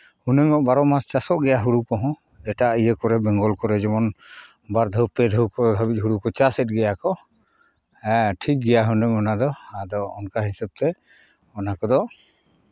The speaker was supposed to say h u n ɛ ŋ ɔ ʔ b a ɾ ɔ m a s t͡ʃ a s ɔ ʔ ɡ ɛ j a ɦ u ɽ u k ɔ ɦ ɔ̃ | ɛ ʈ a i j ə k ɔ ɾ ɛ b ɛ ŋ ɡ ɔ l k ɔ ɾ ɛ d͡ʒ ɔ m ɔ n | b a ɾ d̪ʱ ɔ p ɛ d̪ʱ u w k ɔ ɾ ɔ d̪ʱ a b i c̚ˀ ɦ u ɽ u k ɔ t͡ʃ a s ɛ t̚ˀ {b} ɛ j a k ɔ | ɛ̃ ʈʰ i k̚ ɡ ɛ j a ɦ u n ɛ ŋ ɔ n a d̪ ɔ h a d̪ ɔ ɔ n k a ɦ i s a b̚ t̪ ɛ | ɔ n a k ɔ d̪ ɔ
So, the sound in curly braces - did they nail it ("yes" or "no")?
no